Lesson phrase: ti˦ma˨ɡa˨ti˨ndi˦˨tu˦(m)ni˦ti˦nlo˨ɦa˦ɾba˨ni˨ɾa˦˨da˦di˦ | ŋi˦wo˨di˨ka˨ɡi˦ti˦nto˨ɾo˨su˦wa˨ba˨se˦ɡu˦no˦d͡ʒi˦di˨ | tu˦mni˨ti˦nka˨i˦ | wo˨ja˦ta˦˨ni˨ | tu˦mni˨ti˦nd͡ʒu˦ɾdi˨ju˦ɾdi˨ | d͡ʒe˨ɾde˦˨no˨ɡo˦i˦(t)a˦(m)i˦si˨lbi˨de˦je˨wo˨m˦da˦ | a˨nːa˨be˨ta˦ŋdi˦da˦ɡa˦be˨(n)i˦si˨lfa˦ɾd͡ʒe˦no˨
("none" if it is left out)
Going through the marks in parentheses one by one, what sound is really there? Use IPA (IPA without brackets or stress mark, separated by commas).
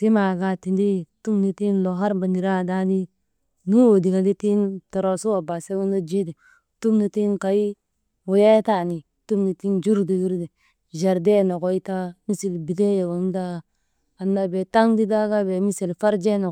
m, t, m, m